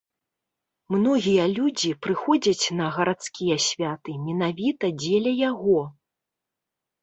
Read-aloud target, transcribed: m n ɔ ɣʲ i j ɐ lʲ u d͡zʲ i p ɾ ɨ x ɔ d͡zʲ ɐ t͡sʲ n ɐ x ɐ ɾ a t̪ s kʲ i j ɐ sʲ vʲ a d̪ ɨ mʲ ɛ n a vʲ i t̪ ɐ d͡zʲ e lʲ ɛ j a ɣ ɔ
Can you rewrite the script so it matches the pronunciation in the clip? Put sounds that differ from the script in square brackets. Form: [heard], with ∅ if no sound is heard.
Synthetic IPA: m n ɔ ɣʲ i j ɐ lʲ u d͡zʲ i p ɾ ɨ x ɔ d͡zʲ ɐ t͡sʲ n ɐ [ɣ] ɐ ɾ a t̪ s kʲ i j ɐ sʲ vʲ a [t̪] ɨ mʲ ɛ n a vʲ i t̪ ɐ d͡zʲ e lʲ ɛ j a ɣ ɔ